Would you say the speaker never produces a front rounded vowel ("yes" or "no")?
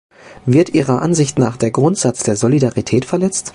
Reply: yes